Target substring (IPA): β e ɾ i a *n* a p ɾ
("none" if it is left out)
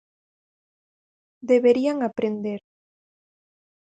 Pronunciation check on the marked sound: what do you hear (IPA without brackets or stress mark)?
ŋ